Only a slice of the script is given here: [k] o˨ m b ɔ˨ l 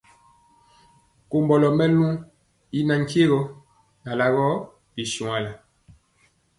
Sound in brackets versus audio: correct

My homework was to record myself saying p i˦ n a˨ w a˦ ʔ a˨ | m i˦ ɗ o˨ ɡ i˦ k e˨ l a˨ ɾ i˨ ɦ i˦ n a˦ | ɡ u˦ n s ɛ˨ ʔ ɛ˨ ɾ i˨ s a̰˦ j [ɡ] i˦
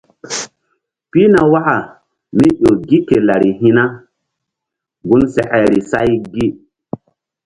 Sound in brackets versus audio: correct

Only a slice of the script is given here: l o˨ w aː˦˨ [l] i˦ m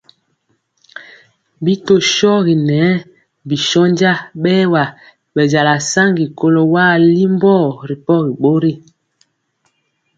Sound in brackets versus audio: correct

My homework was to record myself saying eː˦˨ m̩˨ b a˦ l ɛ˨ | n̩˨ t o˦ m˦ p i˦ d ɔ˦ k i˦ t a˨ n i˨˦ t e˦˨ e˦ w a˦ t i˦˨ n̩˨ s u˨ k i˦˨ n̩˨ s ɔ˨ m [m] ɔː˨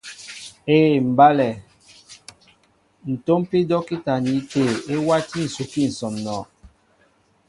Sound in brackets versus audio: incorrect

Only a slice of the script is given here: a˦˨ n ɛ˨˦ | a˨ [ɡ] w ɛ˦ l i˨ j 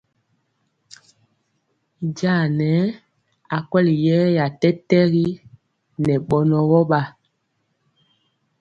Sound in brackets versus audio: incorrect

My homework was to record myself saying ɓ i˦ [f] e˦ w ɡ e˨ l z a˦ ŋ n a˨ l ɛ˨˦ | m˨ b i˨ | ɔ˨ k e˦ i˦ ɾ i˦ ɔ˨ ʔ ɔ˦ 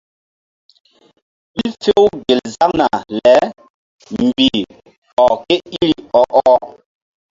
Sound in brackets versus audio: correct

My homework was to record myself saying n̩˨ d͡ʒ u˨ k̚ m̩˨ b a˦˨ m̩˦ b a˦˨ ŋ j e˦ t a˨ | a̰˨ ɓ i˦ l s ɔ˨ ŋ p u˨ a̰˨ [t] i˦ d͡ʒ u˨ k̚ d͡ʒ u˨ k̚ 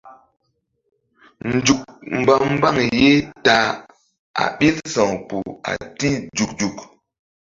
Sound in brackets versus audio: correct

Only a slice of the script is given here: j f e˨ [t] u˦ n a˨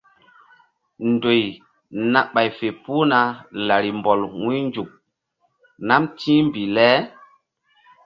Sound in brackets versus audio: incorrect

